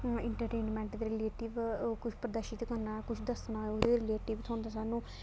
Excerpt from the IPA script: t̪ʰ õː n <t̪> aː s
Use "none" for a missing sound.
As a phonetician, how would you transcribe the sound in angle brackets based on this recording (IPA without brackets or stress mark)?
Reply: d̪